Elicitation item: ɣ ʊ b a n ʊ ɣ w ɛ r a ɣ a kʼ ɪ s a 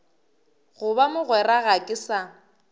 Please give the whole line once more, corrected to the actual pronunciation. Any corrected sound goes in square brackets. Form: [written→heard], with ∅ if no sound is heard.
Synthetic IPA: ɣ ʊ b a [n→m] ʊ ɣ w ɛ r a ɣ a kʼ ɪ s a